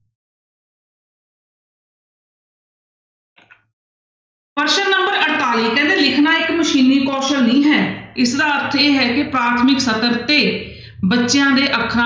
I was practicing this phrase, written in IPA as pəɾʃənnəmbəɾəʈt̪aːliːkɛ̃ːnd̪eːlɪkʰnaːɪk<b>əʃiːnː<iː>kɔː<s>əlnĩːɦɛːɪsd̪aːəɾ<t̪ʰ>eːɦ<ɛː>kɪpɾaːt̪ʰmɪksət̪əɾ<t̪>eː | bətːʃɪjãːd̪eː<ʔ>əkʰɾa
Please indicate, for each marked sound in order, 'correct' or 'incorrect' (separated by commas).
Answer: incorrect, correct, incorrect, correct, correct, correct, correct